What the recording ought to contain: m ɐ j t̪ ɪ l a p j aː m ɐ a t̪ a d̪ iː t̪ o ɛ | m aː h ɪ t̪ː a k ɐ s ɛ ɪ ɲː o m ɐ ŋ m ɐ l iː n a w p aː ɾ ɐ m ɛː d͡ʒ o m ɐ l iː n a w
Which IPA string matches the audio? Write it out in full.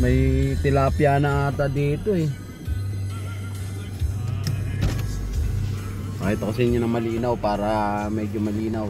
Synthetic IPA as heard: m ɐ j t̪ ɪ l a p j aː n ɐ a t̪ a d̪ iː t̪ o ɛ | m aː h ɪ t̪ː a k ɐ s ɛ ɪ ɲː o n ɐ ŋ m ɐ l iː n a w p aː ɾ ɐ m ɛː d͡ʒ o m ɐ l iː n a w